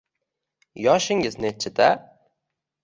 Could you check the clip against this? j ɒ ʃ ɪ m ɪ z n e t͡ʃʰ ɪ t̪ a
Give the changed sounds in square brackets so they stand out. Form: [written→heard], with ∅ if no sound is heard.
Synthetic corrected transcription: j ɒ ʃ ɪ [m→ŋ] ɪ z n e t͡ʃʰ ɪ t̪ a